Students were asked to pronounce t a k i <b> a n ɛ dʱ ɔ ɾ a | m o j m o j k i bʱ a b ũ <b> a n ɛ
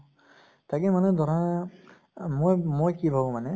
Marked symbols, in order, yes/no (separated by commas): no, no